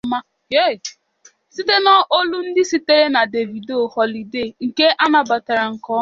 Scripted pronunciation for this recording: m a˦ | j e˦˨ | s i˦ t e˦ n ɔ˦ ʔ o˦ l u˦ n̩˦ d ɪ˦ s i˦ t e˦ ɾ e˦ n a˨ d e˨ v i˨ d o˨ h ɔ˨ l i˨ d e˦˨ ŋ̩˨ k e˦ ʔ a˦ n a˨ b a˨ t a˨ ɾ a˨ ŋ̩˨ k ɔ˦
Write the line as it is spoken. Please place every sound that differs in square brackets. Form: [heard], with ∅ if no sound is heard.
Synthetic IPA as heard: m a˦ | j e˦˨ | s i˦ t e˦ n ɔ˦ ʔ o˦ l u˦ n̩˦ d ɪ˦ s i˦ t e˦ ɾ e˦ n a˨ d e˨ v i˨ d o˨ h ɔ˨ l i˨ d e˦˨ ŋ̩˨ k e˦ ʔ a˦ n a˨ b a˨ t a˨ ɾ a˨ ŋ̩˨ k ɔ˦